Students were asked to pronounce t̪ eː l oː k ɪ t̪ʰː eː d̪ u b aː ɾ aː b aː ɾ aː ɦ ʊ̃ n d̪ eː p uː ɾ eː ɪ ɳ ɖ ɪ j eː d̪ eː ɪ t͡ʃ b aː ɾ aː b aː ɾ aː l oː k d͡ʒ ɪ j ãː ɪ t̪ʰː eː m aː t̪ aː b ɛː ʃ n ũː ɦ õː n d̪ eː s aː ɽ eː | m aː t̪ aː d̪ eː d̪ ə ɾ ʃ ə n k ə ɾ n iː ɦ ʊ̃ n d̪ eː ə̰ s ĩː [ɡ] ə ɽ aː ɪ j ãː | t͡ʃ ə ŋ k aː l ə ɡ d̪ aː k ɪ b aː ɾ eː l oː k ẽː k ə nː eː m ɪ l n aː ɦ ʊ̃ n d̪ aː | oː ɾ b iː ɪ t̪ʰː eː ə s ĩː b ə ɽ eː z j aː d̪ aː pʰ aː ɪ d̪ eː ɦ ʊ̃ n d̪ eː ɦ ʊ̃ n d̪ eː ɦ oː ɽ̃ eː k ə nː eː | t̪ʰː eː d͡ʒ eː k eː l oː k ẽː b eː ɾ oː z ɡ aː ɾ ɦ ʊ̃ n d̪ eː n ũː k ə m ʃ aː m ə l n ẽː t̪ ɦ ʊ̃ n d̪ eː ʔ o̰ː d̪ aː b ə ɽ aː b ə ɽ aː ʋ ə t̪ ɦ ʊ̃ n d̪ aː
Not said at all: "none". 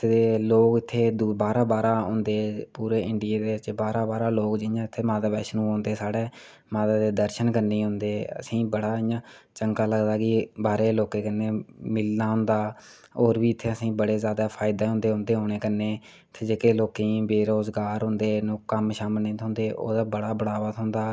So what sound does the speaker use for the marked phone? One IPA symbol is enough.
b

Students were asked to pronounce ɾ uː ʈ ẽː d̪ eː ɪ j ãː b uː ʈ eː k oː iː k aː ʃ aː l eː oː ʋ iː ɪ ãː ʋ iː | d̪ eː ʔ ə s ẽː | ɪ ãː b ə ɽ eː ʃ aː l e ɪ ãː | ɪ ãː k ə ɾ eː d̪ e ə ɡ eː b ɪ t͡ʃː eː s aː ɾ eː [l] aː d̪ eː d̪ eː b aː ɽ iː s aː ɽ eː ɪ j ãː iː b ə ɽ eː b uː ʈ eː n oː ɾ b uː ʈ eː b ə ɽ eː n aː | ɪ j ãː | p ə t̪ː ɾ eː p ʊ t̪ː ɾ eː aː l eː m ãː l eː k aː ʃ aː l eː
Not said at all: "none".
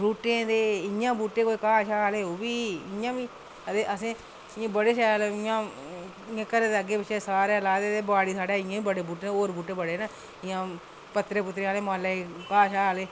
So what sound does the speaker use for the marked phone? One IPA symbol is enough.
l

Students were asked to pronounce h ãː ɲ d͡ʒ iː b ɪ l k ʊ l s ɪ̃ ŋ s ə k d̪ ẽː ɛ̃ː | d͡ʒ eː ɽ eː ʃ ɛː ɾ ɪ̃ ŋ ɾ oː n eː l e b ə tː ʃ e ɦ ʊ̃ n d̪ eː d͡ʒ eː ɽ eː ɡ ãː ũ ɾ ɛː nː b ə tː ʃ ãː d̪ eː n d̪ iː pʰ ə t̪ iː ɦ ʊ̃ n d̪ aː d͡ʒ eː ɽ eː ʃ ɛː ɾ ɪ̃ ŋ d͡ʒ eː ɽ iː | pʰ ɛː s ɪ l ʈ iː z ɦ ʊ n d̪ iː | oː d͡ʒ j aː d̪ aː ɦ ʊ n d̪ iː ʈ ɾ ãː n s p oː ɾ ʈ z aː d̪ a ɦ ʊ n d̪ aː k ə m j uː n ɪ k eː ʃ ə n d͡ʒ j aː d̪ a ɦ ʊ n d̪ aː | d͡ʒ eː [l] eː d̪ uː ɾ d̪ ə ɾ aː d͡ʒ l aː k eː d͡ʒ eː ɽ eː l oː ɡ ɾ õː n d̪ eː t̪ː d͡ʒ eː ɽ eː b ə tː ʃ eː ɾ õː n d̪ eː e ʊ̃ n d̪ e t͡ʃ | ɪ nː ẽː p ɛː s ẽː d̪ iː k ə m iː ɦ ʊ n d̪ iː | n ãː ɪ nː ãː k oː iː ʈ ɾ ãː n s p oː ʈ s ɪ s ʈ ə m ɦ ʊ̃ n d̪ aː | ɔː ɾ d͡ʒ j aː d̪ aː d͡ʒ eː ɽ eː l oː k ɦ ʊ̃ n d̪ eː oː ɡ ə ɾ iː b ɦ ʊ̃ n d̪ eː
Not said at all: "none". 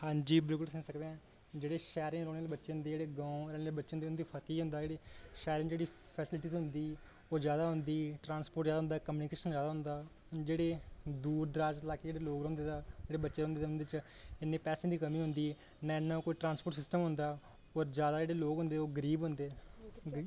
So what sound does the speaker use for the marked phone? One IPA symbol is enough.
ɽ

